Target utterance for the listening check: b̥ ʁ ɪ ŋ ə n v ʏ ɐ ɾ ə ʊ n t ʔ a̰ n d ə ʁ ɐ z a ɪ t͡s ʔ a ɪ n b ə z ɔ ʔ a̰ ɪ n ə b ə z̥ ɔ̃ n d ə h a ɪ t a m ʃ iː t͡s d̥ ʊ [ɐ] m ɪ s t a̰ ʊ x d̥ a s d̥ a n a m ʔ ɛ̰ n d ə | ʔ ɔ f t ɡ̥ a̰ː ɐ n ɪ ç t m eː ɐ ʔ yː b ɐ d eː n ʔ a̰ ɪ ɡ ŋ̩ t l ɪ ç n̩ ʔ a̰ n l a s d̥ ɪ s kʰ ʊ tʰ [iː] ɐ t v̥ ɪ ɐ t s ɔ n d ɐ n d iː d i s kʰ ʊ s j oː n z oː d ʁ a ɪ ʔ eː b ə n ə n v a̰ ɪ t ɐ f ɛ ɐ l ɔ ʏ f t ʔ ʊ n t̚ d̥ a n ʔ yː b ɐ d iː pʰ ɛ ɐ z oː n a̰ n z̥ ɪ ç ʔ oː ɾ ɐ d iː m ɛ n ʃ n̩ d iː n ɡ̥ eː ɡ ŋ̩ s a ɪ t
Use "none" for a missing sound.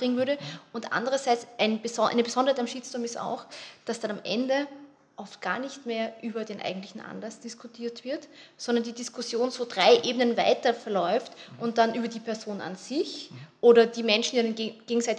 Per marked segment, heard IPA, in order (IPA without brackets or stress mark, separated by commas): ɐ, iː